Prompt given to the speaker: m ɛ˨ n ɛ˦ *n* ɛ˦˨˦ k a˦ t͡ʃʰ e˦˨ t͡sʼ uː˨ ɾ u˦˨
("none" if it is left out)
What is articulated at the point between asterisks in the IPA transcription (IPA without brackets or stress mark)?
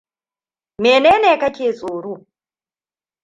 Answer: n